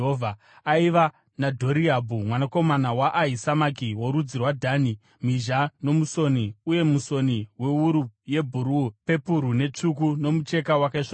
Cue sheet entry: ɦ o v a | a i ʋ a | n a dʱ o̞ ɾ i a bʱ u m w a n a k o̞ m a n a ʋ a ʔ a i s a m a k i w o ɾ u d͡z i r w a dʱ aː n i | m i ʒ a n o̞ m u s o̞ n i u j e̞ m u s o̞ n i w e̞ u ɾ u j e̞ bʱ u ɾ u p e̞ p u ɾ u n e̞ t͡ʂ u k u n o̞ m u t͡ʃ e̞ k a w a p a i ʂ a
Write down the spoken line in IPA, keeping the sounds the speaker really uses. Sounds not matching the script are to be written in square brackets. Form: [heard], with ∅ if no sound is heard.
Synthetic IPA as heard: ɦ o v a | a i ʋ a | n a dʱ o̞ ɾ i a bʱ u m w a n a k o̞ m a n a [w] a ʔ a i s a m a k i w o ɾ u d͡z i r w a dʱ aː n i | m i ʒ a n o̞ m u s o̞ n i u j e̞ m u s o̞ n i w e̞ u ɾ u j e̞ bʱ u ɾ u p e̞ p u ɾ u n e̞ t͡ʂ u k u n o̞ m u t͡ʃ e̞ k a w a [k] a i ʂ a